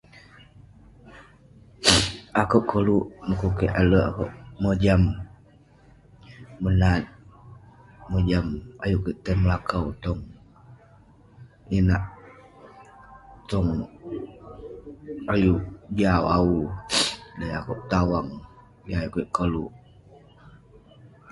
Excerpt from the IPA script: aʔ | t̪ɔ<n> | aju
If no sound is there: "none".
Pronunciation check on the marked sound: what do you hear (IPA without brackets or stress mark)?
ŋ